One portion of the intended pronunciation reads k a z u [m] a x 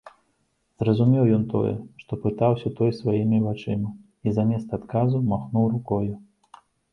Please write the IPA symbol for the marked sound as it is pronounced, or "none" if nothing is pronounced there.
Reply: m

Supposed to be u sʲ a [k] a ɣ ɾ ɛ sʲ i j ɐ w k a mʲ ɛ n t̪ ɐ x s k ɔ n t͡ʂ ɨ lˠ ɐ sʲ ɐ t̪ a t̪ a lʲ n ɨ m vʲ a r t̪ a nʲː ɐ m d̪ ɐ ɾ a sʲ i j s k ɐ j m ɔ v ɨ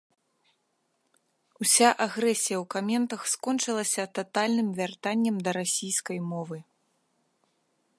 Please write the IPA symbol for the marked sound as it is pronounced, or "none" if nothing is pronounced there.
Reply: ʔ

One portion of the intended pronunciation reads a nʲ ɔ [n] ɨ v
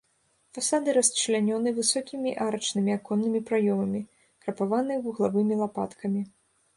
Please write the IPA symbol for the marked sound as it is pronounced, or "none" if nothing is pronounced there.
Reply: n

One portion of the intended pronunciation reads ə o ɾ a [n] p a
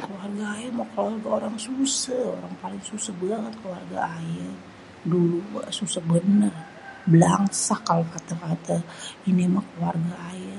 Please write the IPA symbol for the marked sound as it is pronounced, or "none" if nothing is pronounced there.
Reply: ŋ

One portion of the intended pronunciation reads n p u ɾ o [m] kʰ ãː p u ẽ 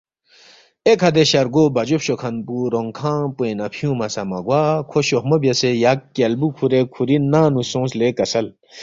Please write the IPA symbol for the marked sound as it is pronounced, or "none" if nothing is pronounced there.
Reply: ŋ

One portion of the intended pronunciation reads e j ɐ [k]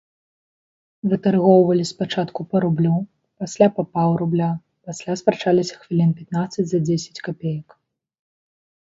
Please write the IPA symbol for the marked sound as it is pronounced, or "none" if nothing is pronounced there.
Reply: k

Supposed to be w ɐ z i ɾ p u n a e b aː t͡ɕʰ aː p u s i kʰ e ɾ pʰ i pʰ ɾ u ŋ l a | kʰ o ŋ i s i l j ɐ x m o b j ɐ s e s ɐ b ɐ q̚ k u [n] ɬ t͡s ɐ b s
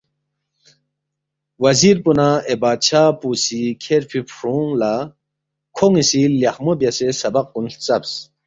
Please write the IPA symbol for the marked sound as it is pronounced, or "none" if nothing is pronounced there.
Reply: n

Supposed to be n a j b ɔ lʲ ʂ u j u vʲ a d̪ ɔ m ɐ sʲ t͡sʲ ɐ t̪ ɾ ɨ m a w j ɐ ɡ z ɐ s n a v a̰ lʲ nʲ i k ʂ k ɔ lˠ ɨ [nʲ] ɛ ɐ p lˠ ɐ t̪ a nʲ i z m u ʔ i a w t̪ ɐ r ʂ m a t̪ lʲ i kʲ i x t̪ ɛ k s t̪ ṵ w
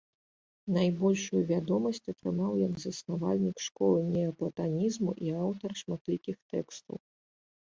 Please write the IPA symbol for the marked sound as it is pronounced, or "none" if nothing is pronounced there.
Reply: nʲ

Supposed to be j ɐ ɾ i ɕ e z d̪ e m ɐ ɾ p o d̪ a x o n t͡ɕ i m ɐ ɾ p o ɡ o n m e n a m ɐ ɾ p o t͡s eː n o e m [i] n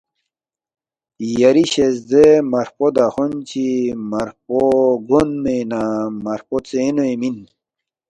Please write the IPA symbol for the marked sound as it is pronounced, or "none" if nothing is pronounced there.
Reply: i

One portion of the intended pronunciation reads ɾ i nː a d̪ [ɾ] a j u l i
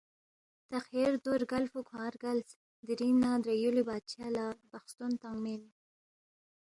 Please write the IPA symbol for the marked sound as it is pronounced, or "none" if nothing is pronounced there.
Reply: ɾ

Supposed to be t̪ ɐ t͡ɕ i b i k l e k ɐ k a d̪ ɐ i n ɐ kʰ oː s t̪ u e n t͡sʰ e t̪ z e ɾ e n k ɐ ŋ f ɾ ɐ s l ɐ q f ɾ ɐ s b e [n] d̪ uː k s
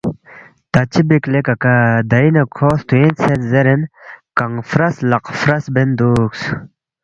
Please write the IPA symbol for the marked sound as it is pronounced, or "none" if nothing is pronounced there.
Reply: n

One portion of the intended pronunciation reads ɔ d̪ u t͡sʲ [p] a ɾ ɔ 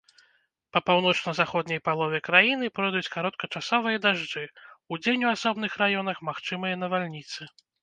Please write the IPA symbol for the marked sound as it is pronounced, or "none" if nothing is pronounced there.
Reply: k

